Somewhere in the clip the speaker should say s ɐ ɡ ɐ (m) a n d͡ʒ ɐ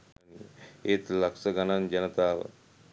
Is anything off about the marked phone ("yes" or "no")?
yes